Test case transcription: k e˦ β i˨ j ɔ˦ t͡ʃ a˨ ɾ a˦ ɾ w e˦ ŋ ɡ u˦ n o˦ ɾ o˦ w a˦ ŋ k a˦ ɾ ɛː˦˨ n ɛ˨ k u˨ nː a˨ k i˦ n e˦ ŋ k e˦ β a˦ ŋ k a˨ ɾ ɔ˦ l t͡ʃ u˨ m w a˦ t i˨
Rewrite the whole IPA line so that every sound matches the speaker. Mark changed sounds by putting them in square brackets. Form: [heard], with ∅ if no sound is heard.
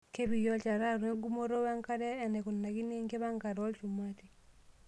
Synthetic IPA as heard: k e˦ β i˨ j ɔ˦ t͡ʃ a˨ ɾ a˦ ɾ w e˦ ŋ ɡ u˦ [m] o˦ ɾ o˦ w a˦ ŋ k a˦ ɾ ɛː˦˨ n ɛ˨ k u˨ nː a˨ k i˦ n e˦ ŋ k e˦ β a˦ ŋ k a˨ ɾ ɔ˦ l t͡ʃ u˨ m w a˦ t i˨